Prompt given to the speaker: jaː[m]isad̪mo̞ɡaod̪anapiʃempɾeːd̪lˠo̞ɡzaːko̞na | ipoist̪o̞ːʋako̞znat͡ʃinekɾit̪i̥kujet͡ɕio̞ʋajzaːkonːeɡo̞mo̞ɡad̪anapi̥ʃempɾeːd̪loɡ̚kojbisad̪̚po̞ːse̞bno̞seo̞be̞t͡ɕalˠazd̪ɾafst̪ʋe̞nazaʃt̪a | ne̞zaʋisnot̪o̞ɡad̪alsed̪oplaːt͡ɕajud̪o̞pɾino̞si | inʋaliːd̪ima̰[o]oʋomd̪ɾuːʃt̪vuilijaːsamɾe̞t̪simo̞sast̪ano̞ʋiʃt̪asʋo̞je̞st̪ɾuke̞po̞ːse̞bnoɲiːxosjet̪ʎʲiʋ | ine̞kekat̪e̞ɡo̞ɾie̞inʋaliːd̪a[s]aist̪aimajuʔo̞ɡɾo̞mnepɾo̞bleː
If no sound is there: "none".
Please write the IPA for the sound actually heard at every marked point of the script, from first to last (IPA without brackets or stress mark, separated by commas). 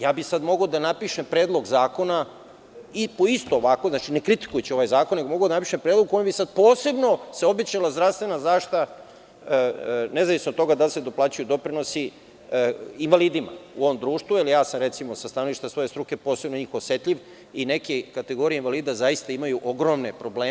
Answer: b, u, z